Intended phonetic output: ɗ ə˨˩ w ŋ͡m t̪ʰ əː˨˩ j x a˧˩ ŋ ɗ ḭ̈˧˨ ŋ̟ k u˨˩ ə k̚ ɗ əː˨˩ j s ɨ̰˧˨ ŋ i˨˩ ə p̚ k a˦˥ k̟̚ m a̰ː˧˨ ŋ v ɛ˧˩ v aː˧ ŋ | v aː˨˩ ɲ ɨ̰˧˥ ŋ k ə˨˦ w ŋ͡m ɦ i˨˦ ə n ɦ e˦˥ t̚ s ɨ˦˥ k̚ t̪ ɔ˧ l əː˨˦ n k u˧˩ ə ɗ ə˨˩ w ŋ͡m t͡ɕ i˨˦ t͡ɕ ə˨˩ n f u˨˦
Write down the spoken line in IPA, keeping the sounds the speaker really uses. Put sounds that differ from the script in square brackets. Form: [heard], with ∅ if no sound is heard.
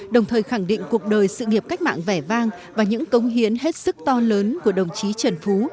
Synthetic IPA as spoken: ɗ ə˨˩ w ŋ͡m t̪ʰ əː˨˩ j x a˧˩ ŋ ɗ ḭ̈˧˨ ŋ̟ k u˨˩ ə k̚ ɗ əː˨˩ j s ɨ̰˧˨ ŋ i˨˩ ə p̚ k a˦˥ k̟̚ m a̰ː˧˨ ŋ v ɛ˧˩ v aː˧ ŋ | v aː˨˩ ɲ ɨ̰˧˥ ŋ k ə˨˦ w ŋ͡m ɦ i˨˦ ə n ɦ e˦˥ t̚ s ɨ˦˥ k̚ t̪ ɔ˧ l əː˨˦ n k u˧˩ ə ɗ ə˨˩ w ŋ͡m t͡ɕ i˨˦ t͡ɕ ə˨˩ n f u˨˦